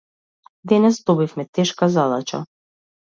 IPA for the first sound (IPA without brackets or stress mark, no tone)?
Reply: d̪